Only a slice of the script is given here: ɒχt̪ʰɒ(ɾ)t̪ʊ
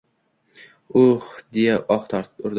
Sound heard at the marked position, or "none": ɾ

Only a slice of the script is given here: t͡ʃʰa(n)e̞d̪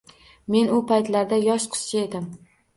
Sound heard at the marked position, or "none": none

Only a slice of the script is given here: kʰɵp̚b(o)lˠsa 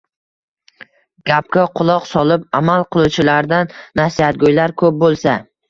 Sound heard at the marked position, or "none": o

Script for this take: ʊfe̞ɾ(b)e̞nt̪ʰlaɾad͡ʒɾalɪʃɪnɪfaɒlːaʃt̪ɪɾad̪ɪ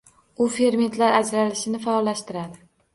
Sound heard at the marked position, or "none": m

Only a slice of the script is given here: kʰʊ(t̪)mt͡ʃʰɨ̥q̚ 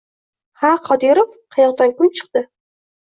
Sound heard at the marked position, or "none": none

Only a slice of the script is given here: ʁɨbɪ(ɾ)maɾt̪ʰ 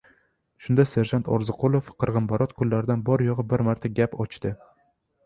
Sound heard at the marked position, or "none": ɾ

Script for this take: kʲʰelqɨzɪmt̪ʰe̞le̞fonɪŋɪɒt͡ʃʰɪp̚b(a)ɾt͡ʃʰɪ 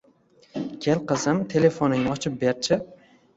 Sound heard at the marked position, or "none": e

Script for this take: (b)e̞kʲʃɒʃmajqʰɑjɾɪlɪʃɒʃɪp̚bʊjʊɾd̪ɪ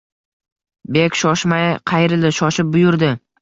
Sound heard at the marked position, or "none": b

